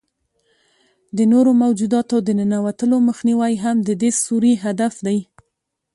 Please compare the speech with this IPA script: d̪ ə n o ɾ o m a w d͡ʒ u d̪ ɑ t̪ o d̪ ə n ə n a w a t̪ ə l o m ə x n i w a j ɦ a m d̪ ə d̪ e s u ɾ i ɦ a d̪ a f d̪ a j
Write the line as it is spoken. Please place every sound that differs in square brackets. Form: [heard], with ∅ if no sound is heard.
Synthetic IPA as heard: d̪ ə n o ɾ o m a w d͡ʒ u d̪ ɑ t̪ o d̪ ə n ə n a w a t̪ ə l o m ə x n i w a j ɦ a m d̪ ə d̪ e s u ɾ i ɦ a d̪ a f d̪ a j